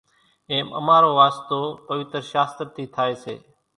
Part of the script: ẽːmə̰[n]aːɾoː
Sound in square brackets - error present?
yes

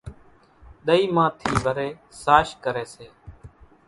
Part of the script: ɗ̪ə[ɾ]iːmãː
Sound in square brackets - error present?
yes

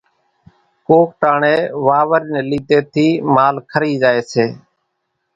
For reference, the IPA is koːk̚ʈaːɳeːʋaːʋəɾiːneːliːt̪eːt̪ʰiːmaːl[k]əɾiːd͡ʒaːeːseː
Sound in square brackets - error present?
yes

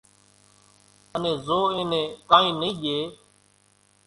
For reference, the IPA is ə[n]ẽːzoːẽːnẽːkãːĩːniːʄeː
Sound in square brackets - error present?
no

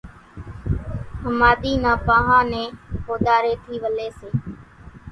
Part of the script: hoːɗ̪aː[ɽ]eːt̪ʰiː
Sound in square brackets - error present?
yes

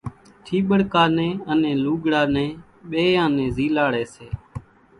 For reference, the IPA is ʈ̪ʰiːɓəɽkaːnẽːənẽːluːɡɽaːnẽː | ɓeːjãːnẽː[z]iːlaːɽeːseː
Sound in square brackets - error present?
no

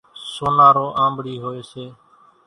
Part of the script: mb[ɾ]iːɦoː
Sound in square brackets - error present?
yes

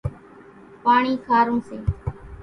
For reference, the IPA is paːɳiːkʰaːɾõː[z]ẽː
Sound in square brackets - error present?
yes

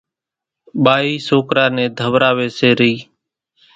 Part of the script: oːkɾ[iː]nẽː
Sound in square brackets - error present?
yes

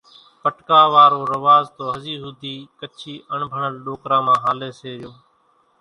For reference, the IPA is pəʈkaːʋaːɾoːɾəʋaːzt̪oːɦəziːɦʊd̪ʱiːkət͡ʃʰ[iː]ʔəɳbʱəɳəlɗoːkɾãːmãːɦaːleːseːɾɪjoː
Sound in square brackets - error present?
no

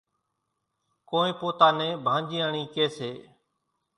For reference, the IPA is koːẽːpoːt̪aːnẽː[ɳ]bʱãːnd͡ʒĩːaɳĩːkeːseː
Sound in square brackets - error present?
yes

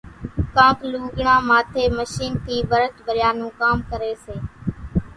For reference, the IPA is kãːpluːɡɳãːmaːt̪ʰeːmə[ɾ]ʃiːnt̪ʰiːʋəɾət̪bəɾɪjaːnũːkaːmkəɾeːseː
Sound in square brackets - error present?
yes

